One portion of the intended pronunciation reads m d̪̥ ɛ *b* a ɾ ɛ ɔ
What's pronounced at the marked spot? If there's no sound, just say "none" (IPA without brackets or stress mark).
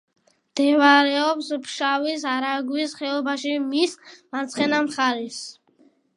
v